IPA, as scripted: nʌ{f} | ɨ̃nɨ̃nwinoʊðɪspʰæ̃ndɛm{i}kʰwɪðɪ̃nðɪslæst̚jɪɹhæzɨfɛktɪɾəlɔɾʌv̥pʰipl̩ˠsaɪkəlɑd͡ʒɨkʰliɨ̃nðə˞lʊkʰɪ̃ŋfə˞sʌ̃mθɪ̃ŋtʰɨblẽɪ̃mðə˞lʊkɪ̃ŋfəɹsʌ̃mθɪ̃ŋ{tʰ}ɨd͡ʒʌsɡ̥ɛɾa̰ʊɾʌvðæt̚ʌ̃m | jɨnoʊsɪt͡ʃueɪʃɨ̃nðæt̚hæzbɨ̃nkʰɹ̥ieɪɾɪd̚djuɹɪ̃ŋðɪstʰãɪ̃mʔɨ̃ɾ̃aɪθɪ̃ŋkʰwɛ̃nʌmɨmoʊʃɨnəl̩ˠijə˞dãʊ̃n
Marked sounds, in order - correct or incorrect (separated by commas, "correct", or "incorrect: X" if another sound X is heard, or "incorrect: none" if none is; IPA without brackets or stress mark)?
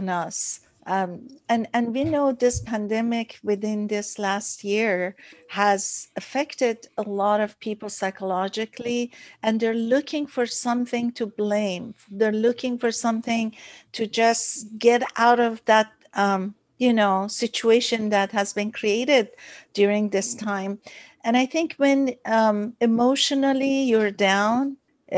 incorrect: s, incorrect: ɪ, correct